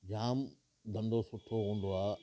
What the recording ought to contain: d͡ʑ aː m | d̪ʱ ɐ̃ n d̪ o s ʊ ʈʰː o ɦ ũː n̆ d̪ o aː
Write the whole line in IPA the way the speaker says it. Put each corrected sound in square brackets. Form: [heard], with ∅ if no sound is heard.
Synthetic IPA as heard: d͡ʑ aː m | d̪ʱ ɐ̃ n d̪ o s ʊ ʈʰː o ɦ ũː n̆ d̪ o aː